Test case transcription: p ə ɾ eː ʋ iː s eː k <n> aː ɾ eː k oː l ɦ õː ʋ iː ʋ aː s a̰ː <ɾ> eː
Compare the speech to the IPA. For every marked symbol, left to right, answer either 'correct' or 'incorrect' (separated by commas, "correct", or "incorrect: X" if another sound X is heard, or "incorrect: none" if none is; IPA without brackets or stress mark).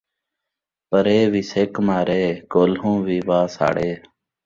incorrect: m, incorrect: ɽ